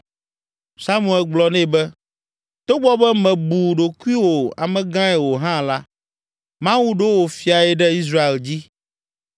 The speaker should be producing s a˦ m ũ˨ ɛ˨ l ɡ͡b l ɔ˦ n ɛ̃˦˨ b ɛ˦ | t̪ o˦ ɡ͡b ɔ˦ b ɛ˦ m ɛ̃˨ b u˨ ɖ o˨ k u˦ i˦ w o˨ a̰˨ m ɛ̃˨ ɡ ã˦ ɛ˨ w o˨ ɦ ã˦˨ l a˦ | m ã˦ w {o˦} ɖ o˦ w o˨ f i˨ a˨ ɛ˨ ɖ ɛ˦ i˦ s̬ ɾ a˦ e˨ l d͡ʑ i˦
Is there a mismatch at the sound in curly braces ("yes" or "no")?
yes